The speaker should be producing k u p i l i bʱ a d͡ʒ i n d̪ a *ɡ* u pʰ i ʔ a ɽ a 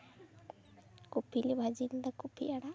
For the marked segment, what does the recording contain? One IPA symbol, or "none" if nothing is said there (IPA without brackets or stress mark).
k